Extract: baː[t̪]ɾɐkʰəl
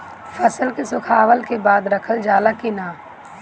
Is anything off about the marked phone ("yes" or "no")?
yes